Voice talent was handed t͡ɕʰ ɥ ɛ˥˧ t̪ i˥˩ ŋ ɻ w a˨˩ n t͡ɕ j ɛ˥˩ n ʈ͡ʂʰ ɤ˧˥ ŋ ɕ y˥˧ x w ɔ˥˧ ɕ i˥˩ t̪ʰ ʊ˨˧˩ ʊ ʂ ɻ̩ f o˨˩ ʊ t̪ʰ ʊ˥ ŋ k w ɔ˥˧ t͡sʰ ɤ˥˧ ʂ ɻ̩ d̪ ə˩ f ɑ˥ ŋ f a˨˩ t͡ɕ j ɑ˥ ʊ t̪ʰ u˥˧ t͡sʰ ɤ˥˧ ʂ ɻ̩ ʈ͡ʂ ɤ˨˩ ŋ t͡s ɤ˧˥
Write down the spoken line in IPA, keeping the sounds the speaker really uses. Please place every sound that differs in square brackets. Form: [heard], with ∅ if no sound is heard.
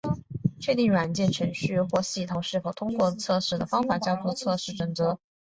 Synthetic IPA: t͡ɕʰ ɥ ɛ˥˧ t̪ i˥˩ ŋ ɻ w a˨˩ n t͡ɕ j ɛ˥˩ n ʈ͡ʂʰ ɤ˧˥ ŋ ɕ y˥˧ x w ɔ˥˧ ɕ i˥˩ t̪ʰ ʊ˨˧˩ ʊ ʂ ɻ̩ f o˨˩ ʊ t̪ʰ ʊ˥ ŋ k w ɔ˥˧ t͡sʰ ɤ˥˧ ʂ ɻ̩ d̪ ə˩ f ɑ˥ ŋ f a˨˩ t͡ɕ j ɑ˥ ʊ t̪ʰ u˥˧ t͡sʰ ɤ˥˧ ʂ ɻ̩ ʈ͡ʂ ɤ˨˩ ŋ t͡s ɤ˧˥